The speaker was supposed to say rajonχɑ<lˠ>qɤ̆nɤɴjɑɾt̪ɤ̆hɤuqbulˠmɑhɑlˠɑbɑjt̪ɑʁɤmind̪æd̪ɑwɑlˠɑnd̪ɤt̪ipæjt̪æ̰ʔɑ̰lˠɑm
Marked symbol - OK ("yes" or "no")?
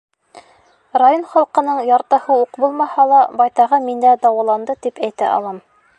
yes